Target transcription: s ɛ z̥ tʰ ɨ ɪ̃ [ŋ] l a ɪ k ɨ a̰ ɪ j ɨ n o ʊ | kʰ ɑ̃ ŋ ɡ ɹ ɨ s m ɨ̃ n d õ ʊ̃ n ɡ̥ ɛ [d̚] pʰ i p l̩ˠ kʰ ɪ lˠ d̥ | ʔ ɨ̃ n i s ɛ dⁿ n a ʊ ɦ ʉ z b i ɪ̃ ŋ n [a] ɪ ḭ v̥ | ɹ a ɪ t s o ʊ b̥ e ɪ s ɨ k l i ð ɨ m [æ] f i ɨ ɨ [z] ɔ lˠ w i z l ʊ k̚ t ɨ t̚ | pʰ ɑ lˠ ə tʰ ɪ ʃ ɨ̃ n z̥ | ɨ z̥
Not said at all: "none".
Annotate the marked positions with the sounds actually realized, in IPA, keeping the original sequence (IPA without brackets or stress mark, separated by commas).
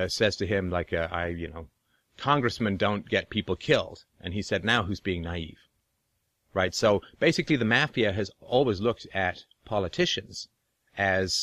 m, t̚, a, æ, z